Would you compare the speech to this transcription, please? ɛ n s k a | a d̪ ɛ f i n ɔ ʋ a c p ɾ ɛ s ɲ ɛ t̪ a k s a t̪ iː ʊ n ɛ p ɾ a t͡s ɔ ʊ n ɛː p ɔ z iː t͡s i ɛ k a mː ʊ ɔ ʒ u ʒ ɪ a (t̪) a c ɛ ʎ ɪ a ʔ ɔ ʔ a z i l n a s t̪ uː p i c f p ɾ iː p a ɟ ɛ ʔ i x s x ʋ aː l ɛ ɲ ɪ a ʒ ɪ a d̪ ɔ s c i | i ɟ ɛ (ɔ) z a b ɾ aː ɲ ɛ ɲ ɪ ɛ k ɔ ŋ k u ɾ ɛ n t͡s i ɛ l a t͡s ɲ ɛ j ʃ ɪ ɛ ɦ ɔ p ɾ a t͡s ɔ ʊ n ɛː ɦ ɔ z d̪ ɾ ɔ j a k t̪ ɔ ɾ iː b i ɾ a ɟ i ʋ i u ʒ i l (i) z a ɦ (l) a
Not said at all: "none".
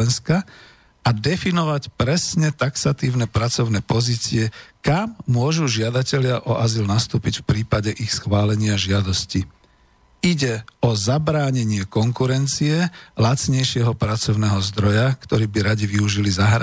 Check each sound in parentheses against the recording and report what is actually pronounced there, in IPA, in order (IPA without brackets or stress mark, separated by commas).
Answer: d̪, ɔ, i, ɾ